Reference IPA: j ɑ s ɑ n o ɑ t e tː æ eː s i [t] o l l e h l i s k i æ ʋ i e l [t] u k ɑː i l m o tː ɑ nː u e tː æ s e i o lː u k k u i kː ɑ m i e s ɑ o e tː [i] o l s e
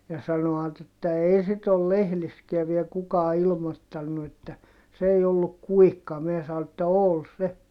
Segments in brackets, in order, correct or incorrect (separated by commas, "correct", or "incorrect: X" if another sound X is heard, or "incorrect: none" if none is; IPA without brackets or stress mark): correct, incorrect: k, incorrect: æ